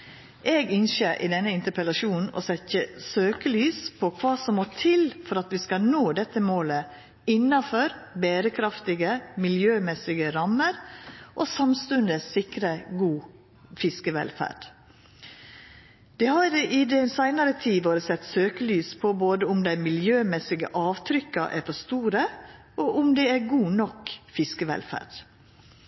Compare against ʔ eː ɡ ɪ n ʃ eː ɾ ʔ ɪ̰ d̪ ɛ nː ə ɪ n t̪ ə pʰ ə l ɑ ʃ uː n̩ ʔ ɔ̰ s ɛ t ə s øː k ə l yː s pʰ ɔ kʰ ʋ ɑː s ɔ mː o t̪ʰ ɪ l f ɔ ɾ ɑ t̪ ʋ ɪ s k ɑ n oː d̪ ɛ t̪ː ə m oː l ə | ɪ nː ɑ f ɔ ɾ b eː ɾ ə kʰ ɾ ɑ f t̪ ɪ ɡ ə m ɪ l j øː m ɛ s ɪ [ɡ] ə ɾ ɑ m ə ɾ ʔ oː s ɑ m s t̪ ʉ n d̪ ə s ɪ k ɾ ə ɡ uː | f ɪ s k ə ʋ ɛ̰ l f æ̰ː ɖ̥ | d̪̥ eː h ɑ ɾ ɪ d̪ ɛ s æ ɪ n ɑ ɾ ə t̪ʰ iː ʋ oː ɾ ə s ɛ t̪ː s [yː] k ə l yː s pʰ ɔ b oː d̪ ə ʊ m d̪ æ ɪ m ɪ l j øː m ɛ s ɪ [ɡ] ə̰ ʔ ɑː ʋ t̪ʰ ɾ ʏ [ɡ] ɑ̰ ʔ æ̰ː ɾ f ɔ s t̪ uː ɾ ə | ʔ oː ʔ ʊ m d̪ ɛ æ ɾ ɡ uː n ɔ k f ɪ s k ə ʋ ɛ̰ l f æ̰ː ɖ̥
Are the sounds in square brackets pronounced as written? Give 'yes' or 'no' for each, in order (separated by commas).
yes, no, yes, no